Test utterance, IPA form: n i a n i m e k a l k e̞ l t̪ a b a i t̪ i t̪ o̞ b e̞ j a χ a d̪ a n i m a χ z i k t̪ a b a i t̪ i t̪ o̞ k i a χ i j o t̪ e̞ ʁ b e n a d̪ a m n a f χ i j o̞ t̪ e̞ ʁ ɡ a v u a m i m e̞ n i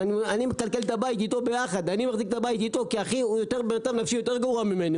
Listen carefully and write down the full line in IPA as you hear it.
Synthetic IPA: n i a n i m e k a l k e̞ l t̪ a b a i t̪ i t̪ o̞ b e̞ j a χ a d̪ a n i m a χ z i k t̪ a b a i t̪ i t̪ o̞ k i a χ i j o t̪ e̞ ʁ b e n a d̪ a m n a f ʃ i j o̞ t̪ e̞ ʁ ɡ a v u a m i m e̞ n i